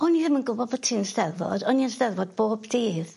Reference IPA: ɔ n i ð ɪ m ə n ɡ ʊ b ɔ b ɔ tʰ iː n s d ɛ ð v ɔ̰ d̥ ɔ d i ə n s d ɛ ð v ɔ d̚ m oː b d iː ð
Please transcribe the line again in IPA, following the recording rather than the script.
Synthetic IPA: ɔ n i ð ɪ m ə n ɡ ʊ b ɔ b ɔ tʰ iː n s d ɛ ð v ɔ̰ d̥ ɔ n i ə n s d ɛ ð v ɔ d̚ b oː b d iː ð